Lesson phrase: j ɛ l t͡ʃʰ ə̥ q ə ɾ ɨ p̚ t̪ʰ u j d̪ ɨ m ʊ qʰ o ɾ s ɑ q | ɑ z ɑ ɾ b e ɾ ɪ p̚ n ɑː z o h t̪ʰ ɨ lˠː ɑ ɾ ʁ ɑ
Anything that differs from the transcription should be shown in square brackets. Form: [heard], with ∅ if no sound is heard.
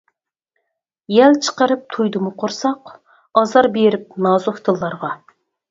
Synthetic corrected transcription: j ɛ l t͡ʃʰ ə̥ q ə ɾ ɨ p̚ t̪ʰ u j d̪ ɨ m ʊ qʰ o ɾ s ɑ q | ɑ z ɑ ɾ b e ɾ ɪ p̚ n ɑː z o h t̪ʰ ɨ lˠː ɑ ɾ ʁ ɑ